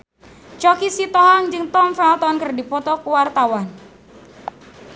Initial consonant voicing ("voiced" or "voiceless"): voiceless